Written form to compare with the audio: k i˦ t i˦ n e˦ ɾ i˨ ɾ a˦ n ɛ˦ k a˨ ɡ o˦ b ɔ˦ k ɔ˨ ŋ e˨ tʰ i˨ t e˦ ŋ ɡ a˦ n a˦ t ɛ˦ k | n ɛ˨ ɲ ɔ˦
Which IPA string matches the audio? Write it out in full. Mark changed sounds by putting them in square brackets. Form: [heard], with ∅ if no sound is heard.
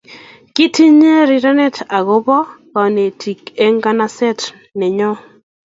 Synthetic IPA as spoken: k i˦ t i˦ [ɲ] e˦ ɾ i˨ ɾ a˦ n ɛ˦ [t] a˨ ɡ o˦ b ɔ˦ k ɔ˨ [n] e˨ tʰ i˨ [k] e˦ ŋ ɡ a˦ n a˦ [s] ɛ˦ [t] | n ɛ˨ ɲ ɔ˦